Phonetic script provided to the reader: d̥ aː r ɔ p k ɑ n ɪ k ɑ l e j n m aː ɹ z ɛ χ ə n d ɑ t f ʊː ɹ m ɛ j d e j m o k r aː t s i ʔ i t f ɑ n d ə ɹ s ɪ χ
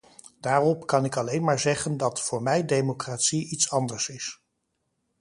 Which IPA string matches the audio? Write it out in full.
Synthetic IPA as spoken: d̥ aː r ɔ p k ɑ n ɪ k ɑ l e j n m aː ɹ z ɛ χ ə n d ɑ t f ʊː ɹ m ɛ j d e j m o k r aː t s i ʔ i t s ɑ n d ə ɹ s ɪ s